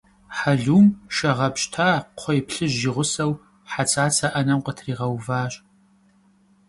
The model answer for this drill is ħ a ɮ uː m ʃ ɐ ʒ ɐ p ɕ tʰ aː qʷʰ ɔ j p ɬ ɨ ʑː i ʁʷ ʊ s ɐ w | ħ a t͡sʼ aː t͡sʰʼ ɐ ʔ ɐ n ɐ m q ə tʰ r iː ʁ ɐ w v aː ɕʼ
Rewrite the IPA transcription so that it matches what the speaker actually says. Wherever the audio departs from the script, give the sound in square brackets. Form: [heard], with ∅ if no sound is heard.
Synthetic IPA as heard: ħ a ɮ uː m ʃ ɐ [ʁ] ɐ p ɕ tʰ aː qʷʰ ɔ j p ɬ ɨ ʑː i ʁʷ ʊ s ɐ w | ħ a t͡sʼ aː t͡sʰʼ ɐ ʔ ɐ n ɐ m q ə tʰ r iː ʁ ɐ w v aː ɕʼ